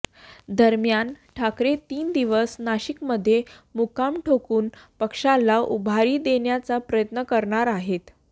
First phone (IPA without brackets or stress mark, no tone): d̪